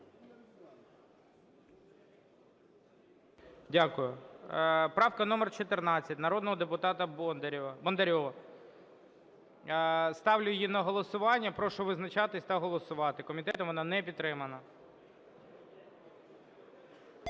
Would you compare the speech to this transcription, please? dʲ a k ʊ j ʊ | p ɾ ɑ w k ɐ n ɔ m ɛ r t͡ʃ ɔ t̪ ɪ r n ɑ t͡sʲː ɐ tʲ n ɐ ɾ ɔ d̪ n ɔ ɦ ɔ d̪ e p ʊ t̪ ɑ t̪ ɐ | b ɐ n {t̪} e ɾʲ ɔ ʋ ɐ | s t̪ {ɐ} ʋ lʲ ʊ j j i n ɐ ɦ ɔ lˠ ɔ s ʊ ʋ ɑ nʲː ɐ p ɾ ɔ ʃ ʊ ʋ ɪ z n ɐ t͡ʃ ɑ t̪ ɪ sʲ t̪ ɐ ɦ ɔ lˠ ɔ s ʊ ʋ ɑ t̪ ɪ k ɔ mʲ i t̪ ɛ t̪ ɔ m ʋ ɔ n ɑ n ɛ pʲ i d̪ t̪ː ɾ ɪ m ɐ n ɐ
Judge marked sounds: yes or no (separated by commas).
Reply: no, no